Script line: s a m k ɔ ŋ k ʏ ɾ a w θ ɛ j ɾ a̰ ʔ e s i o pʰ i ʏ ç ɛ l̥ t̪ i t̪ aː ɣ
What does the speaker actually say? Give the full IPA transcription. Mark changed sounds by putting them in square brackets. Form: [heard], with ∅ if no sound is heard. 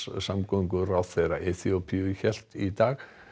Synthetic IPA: s a m k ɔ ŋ k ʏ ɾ a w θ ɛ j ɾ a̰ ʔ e [θ] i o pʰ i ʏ ç ɛ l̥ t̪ i t̪ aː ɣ